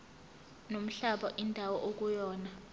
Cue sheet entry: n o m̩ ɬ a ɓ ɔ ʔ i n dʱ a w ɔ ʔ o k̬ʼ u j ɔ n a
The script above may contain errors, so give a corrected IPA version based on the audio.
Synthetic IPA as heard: n o m̩ ɬ a ɓ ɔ ʔ i n dʱ a w ɔ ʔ o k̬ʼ u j ɔː n a